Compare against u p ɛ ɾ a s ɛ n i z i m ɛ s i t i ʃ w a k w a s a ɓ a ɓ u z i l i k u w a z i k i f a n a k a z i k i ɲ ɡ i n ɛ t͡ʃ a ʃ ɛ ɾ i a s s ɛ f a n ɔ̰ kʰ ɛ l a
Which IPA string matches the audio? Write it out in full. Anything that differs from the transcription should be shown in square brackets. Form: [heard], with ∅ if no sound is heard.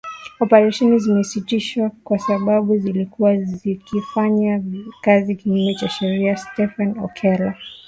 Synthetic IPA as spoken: [ɔ] p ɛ ɾ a [ʃ] ɛ n i z i m ɛ s i t i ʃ w a k w a s a ɓ a ɓ u z i l i k u w a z i k i f a [ɲ] a k a z i k i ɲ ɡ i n ɛ t͡ʃ a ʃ ɛ ɾ i a s [t] ɛ f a n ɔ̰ kʰ ɛ l a